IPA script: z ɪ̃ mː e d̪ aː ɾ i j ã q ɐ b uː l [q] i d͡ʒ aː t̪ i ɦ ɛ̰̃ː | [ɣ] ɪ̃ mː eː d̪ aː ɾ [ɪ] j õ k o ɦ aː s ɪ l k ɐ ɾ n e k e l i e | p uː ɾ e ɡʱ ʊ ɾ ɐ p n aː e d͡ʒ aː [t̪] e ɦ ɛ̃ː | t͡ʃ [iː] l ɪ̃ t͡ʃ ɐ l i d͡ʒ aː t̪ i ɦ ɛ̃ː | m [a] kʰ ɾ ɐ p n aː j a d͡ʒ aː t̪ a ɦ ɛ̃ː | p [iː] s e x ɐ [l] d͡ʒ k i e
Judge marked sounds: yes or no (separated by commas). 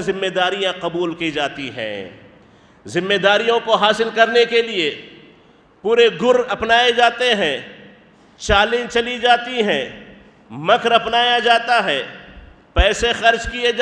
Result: no, no, no, yes, no, no, no, no